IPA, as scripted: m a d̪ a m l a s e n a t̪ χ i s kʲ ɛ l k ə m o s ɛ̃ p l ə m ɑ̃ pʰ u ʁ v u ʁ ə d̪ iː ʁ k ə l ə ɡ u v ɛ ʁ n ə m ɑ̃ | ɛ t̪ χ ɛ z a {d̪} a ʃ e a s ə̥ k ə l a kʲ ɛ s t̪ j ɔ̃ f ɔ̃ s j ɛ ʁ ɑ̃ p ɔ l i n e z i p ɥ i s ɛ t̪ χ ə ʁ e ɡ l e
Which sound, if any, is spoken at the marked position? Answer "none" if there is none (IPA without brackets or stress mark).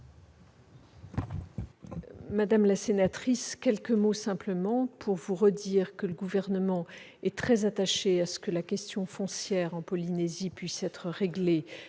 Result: t̪